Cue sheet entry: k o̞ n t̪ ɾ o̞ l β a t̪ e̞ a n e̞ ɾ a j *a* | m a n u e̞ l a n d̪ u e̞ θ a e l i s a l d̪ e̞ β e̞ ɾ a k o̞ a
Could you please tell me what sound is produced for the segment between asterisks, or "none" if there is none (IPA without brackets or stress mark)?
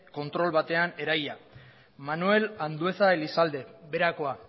a